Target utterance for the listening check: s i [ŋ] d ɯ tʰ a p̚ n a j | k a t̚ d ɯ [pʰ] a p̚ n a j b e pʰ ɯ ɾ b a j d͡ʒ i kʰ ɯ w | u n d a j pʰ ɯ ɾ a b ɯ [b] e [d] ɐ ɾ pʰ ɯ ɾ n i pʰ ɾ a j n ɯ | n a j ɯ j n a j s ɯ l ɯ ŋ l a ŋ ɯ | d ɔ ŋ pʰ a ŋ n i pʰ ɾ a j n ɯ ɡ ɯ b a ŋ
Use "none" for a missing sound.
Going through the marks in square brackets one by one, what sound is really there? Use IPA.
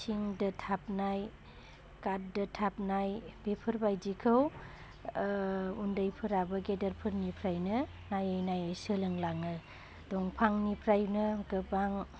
ŋ, tʰ, ɡ, d

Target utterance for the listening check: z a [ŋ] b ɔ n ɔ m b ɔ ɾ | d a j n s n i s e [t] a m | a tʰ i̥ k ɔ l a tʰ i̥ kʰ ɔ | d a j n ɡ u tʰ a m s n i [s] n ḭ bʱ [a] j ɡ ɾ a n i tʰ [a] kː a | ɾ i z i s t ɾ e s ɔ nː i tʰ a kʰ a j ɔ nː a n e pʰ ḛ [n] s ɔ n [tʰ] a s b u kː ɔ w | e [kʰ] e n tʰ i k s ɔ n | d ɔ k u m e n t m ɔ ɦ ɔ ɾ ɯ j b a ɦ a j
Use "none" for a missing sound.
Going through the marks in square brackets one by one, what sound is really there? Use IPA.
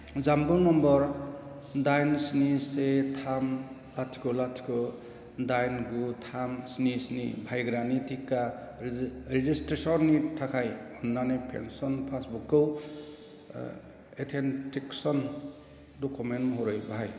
m, tʰ, s, a, i, n, pʰ, tʰ

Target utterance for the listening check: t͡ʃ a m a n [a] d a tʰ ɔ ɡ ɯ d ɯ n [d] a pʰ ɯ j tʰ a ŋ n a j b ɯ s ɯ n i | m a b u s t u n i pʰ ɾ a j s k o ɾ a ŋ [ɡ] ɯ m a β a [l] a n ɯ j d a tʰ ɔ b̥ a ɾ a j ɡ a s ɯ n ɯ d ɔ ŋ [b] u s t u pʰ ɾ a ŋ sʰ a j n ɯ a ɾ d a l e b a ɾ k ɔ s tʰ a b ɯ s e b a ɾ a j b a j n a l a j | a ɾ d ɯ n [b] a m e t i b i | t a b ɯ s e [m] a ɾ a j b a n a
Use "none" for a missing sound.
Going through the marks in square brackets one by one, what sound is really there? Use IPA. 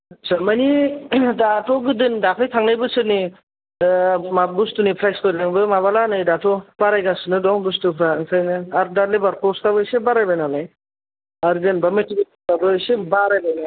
i, d, b, l, b, b, b

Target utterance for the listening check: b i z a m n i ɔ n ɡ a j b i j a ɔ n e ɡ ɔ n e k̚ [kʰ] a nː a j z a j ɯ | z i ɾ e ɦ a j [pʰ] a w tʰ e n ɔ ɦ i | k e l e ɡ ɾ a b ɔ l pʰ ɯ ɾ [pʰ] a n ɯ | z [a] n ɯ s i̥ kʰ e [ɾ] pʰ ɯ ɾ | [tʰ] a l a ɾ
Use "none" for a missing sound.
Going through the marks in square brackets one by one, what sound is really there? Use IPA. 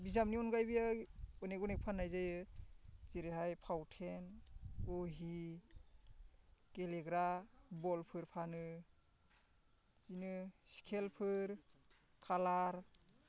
pʰ, pʰ, pʰ, i, l, kʰ

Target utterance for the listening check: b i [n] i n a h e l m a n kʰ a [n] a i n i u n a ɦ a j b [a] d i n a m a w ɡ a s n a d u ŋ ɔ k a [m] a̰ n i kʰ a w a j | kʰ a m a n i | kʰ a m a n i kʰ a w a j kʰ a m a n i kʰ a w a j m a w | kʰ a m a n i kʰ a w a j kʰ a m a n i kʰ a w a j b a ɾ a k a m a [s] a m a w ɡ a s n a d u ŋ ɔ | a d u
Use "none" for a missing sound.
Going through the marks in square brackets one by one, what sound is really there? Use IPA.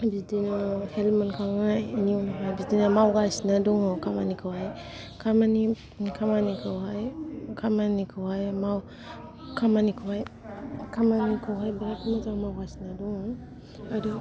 d, ŋ, i, m, t

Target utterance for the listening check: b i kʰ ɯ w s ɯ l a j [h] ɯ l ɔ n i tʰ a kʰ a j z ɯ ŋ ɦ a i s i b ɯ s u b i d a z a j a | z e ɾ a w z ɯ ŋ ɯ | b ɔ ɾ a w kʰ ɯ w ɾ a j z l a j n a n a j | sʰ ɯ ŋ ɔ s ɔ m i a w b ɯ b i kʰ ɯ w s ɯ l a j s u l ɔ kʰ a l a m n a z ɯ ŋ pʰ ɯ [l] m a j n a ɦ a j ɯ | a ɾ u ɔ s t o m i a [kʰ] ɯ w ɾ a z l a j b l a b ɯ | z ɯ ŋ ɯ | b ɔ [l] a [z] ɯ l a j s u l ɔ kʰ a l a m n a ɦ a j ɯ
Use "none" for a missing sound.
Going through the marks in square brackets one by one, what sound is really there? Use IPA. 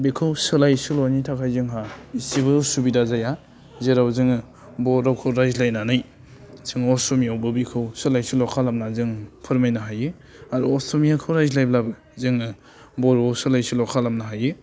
s, ɾ, kʰ, ɾ, s

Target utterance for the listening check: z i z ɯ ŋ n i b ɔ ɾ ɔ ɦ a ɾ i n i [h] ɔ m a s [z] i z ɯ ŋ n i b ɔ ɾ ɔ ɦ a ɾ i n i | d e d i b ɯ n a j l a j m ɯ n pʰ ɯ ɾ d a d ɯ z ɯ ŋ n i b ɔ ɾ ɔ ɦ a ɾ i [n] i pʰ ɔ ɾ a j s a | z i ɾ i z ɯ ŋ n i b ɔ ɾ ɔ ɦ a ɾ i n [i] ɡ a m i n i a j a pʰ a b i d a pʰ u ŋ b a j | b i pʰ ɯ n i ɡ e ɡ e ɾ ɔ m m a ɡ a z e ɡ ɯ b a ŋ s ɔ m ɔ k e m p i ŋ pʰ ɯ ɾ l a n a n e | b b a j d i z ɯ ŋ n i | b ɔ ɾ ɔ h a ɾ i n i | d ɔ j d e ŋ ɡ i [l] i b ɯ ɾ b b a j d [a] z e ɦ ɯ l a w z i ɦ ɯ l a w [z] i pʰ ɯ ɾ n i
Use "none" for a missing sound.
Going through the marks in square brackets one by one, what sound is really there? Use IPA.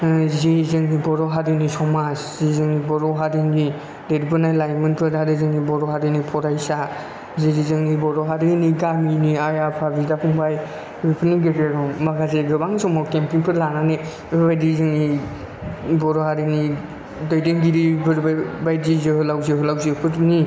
s, z, n, i, ɾ, i, z

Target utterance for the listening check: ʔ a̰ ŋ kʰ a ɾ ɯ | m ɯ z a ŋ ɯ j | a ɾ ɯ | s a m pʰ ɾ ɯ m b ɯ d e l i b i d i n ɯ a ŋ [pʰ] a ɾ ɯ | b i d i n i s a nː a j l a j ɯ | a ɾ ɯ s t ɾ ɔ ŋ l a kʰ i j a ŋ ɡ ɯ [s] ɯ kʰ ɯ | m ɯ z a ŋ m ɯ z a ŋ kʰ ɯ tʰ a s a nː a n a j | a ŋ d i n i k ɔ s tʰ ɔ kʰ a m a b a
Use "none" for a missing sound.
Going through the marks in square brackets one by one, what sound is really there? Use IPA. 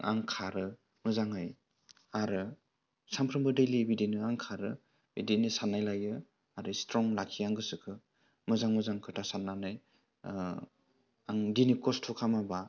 kʰ, s

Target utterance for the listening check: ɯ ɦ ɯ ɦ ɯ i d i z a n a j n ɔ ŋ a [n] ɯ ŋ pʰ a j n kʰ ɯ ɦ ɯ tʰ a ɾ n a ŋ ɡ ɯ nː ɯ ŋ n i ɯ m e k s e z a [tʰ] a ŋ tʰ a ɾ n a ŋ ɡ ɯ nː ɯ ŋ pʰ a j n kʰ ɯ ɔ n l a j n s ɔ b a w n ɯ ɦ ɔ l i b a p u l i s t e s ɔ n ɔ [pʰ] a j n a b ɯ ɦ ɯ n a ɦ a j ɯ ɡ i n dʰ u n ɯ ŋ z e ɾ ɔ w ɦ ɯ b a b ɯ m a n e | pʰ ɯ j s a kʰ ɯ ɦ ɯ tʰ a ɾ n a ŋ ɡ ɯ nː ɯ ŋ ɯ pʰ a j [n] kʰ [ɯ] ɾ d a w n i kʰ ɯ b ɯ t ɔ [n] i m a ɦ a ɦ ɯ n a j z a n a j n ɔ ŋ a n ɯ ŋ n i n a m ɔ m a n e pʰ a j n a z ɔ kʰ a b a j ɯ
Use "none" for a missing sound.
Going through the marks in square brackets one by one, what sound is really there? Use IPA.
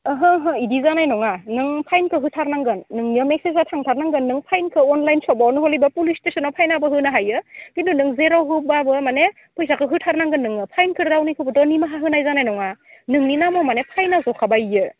n, tʰ, pʰ, n, ɯ, n

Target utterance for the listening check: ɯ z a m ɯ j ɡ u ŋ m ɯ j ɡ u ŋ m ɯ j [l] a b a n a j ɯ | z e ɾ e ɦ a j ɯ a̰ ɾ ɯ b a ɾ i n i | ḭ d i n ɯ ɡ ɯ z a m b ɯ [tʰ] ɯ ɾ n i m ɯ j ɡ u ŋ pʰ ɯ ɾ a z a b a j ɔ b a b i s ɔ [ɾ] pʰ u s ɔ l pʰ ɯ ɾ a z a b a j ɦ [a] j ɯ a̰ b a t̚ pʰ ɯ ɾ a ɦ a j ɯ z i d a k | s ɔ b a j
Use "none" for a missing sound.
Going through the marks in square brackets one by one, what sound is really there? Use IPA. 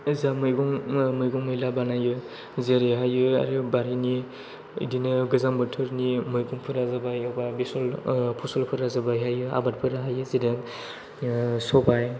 l, tʰ, l, a

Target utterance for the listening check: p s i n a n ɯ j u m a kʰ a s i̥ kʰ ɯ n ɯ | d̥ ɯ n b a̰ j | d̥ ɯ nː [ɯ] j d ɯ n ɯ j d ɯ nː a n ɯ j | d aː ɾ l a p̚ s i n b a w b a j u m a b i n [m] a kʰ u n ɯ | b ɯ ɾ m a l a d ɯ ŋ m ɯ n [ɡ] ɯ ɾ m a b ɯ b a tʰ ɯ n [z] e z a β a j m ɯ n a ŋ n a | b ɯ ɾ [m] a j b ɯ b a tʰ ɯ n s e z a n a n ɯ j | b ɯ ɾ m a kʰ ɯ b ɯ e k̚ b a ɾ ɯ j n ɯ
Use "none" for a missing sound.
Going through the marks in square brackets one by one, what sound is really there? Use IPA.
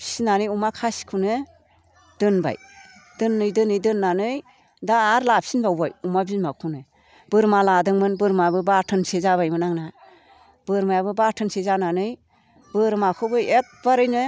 ɯ, m, b, s, m

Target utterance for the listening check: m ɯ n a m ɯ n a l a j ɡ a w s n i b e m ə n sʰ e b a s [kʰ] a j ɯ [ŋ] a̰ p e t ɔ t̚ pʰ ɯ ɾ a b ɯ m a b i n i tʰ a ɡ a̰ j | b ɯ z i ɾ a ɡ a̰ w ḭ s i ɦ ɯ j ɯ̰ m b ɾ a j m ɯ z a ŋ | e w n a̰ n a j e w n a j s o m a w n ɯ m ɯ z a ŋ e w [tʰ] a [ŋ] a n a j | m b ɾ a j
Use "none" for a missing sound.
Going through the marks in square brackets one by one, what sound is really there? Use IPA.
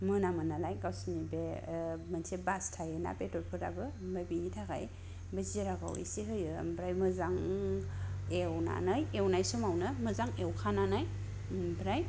tʰ, n, kʰ, n

